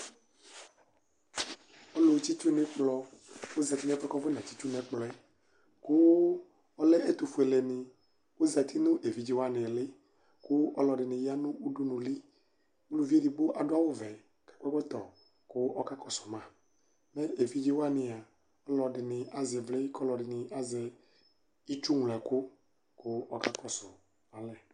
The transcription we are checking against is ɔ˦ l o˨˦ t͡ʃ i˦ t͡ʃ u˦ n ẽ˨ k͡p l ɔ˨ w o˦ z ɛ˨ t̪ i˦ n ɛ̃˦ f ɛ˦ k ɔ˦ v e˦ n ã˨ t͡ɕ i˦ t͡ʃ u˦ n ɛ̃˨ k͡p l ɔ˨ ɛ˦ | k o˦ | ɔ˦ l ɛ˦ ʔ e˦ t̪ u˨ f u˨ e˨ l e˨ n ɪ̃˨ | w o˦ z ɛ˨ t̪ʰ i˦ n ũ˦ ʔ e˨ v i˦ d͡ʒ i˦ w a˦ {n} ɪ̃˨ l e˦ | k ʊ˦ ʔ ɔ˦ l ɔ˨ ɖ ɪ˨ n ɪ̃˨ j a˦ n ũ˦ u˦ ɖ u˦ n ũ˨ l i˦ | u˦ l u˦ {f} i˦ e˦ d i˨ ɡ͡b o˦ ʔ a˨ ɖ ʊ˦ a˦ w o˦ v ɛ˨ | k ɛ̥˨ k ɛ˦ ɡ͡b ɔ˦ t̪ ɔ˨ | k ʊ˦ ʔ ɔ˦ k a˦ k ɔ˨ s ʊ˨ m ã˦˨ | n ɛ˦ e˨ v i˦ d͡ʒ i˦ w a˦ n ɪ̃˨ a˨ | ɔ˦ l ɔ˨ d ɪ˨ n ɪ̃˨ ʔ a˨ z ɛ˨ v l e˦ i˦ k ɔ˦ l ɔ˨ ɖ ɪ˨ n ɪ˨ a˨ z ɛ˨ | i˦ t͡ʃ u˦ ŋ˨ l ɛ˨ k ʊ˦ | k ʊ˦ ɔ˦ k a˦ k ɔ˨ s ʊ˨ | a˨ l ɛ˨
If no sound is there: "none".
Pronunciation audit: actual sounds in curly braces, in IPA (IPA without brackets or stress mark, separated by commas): n, v